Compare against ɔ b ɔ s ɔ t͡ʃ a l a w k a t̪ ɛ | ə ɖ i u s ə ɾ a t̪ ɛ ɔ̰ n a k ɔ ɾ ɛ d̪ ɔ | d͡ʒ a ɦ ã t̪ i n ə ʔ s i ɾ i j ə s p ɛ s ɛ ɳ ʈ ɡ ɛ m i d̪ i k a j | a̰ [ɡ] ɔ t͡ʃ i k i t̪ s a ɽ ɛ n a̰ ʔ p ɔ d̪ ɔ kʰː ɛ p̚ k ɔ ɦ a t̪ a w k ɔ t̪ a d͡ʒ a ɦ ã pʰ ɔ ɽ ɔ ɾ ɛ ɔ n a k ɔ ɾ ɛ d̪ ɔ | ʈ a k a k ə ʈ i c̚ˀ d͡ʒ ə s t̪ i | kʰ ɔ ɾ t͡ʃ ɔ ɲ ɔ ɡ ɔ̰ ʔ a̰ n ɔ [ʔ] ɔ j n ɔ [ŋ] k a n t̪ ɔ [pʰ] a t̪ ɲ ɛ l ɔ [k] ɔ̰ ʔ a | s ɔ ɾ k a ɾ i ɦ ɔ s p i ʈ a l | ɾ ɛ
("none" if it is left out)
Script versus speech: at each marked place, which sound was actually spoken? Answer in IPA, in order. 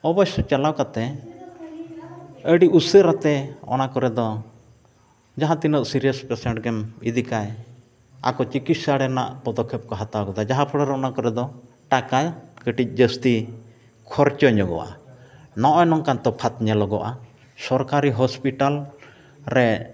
k, ʔ, ŋ, pʰ, ɡ

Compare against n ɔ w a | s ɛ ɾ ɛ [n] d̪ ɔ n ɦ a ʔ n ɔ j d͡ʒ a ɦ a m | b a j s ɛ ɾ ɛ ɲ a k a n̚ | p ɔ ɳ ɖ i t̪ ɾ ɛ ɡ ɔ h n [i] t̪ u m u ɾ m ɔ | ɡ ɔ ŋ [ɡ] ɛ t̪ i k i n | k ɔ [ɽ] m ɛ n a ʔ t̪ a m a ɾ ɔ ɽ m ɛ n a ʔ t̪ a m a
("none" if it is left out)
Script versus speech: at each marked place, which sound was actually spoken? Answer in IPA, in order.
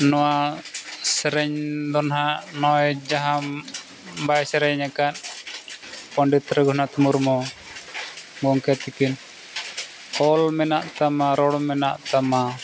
ɲ, a, k, l

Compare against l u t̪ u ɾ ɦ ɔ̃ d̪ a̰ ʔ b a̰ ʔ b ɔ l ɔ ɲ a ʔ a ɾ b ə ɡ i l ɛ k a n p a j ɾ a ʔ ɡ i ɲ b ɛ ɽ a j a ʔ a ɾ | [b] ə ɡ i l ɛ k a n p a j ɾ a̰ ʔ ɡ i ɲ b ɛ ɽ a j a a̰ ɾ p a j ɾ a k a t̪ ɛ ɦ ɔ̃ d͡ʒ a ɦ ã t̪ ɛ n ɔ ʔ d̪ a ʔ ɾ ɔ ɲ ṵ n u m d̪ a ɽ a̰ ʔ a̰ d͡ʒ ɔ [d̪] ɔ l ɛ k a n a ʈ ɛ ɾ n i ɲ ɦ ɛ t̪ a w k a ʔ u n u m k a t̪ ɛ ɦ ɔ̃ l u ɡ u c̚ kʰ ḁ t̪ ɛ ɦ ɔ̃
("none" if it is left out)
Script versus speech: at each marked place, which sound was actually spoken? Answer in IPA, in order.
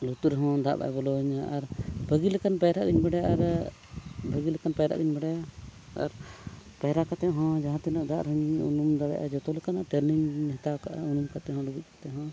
b, t̪

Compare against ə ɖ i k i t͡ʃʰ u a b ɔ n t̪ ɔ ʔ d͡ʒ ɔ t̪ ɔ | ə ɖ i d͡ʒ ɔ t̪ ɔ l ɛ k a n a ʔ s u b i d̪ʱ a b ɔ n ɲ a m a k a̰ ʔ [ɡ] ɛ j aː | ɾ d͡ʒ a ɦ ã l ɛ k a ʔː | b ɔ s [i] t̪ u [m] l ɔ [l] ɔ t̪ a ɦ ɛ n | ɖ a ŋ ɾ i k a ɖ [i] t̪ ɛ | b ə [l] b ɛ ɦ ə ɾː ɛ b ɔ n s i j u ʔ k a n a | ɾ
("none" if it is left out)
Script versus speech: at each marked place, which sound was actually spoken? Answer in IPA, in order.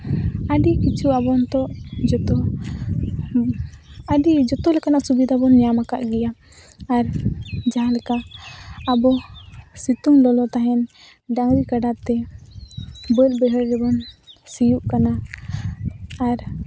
ɡ, i, ŋ, l, a, l

